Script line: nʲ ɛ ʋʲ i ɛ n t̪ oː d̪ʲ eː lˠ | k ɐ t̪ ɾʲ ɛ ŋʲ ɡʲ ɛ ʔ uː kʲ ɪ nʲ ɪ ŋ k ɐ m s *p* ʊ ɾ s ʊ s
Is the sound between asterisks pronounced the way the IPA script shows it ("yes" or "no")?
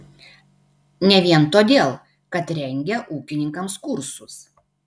no